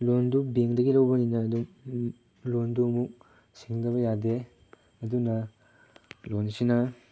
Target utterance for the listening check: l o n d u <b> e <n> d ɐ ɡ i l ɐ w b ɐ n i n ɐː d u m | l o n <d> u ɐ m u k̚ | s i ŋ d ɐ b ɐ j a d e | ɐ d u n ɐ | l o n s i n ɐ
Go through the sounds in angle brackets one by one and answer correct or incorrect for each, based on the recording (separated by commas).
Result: correct, incorrect, correct